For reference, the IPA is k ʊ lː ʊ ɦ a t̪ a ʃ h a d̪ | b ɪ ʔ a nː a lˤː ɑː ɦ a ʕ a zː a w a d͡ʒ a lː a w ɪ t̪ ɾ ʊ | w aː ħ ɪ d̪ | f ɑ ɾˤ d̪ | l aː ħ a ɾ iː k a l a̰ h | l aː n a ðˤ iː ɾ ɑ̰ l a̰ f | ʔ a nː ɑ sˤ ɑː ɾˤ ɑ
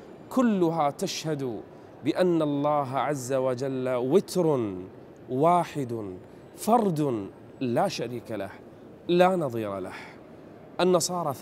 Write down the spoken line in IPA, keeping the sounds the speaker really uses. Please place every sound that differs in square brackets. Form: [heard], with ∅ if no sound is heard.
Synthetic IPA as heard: k ʊ lː ʊ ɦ a t̪ a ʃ h a d̪ | b ɪ ʔ a nː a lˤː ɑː ɦ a ʕ a zː a w a d͡ʒ a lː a w ɪ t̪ ɾ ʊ | w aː ħ ɪ d̪ | f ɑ ɾˤ d̪ | l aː [ʃ] a ɾ iː k a l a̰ h | l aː n [ɑ] ðˤ iː ɾ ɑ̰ l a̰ [h] | ʔ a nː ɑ sˤ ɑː ɾˤ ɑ